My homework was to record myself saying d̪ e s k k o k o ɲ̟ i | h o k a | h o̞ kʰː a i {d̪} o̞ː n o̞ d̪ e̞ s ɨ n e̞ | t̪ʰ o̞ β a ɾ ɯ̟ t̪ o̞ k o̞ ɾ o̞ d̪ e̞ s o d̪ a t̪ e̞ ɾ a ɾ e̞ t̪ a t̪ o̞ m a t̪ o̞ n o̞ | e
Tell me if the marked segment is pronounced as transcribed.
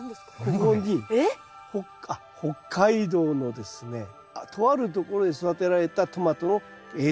yes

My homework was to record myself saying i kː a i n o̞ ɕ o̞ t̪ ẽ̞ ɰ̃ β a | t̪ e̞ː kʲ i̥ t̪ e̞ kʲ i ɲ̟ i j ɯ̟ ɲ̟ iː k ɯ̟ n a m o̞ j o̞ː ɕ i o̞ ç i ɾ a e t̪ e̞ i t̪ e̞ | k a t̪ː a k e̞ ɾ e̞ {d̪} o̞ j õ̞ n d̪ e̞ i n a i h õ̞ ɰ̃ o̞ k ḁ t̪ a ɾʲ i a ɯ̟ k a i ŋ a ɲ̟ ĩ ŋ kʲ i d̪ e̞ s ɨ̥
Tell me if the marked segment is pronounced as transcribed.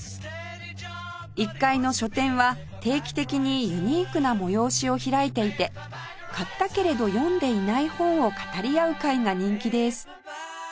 yes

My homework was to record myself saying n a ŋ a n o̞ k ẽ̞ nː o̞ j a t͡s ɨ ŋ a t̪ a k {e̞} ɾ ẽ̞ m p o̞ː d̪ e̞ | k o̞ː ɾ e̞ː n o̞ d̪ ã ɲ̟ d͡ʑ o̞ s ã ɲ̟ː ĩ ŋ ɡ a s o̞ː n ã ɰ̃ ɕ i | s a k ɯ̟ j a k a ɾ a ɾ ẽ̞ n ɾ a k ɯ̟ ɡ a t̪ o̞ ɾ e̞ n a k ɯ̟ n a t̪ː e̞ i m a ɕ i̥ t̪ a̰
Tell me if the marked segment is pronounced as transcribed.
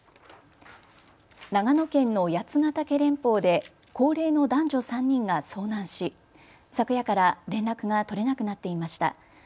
yes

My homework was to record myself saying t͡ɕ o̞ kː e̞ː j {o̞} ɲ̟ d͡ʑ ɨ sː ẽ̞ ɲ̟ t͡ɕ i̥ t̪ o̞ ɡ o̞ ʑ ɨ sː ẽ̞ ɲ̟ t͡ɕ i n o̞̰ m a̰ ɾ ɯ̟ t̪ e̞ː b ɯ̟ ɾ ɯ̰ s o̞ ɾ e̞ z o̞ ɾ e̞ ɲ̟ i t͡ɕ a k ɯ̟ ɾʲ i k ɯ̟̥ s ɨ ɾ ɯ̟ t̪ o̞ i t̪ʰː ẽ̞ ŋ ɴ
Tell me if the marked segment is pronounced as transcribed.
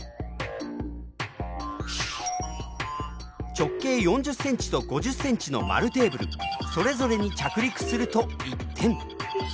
no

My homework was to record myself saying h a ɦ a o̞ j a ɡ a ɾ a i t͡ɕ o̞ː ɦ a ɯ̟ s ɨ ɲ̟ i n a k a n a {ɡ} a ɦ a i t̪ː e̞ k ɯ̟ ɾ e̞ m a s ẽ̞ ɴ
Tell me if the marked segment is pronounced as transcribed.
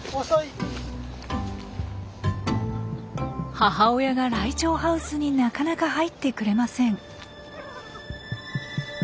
no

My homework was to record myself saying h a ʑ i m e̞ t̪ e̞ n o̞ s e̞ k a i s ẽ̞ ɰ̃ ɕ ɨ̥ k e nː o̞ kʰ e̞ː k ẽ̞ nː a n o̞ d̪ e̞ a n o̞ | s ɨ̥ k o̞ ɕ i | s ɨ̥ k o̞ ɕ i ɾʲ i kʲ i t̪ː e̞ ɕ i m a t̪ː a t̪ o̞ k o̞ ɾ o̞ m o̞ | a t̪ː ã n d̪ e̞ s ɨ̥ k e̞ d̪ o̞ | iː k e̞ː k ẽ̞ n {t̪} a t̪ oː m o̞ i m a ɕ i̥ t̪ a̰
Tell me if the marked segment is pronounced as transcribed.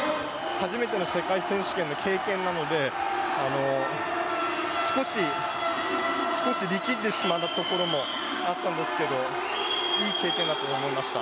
no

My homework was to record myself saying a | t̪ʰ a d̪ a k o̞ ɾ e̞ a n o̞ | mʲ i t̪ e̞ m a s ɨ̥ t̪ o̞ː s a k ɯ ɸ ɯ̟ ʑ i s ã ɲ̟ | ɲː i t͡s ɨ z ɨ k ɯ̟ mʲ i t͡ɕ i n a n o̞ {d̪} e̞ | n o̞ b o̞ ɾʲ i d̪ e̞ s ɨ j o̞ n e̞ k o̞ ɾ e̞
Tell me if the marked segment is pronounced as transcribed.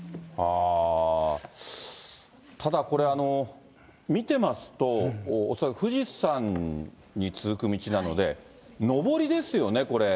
yes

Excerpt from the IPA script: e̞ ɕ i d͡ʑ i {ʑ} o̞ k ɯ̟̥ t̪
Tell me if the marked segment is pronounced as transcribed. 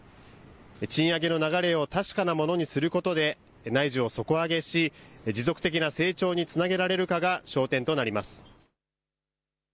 no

